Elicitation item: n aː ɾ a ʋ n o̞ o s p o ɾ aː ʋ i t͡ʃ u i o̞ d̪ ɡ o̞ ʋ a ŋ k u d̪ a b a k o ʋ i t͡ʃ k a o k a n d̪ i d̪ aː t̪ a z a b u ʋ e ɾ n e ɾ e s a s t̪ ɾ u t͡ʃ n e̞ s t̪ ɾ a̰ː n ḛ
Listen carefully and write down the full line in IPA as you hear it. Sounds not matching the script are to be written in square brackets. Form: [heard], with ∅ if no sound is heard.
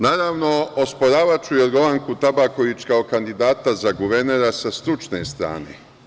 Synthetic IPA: n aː ɾ a ʋ n o̞ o s p o ɾ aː ʋ [a] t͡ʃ u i o̞ d̪ ɡ o̞ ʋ a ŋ k u [t̪] a b a k o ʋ i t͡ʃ k a o k a n d̪ i d̪ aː t̪ a z a [ɡ] u ʋ e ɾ n e ɾ [a] s a s t̪ ɾ u t͡ʃ n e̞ s t̪ ɾ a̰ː n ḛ